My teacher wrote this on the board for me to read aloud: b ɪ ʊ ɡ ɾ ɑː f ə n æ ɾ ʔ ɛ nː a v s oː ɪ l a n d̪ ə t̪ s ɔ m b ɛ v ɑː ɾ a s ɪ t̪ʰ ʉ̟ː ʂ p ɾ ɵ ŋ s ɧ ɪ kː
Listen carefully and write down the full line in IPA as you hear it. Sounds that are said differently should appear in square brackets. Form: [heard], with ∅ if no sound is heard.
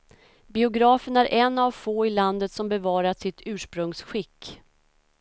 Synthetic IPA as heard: b ɪ ʊ ɡ ɾ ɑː f ə n æ ɾ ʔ ɛ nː a v [f] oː ɪ l a n d̪ ə t̪ s ɔ m b ɛ v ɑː ɾ a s ɪ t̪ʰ ʉ̟ː ʂ p ɾ ɵ ŋ s ɧ ɪ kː